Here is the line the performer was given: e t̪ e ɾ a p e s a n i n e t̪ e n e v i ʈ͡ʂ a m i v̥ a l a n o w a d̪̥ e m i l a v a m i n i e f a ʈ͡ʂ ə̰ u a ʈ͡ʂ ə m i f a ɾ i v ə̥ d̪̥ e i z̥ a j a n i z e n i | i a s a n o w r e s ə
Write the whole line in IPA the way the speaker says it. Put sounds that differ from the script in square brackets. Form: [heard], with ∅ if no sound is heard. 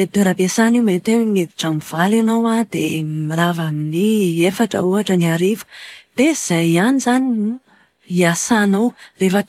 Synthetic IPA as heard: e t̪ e ɾ a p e s a n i [m] e t̪ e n e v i ʈ͡ʂ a m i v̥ a l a n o w a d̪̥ e m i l a v a m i n i e f a ʈ͡ʂ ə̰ u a ʈ͡ʂ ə [n] i [∅] a ɾ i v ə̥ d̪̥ e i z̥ a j a n i z [a] n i | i a s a n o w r e [f] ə